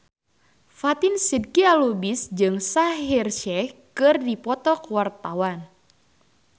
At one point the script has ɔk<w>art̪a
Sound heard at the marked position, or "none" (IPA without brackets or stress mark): w